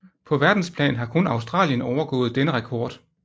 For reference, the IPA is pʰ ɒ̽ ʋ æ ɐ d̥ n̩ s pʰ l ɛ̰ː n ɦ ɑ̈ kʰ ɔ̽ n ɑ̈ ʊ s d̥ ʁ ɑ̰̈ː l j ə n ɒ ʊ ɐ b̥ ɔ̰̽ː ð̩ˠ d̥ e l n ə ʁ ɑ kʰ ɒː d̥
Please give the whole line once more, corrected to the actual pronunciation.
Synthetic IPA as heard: pʰ ɒ̽ ʋ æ ɐ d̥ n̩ s pʰ l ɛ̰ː n ɦ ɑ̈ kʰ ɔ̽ n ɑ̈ ʊ s d̥ ʁ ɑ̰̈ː l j ə n ɒ ʊ ɐ ɡ̥ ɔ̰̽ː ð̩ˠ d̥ e n ə ʁ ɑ kʰ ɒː d̥